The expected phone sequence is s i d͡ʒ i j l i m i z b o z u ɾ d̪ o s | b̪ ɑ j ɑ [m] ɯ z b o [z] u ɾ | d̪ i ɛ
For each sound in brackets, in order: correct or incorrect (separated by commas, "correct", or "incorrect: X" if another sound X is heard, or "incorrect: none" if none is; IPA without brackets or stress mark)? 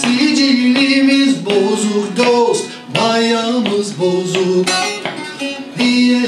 correct, correct